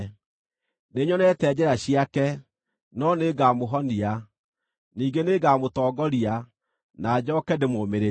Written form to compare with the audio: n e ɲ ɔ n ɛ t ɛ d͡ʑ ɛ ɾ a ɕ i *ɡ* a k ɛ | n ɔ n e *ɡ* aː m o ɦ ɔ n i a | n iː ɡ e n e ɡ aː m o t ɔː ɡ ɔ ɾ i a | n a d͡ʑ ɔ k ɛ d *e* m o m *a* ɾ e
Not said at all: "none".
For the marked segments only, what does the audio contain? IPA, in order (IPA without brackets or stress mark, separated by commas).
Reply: none, ɡ, e, e